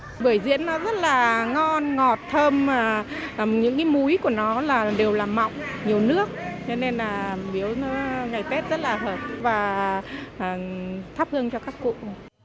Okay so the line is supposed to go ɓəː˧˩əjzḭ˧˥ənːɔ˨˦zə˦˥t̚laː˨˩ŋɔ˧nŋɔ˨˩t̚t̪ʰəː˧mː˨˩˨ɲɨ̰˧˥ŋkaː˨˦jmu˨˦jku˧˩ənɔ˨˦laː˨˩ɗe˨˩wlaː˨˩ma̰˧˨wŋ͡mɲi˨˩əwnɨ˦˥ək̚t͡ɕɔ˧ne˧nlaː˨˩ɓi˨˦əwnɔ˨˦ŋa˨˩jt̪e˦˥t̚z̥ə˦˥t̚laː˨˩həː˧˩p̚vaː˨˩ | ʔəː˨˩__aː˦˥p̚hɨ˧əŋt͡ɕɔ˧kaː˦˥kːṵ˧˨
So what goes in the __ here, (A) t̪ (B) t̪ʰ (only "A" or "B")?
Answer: B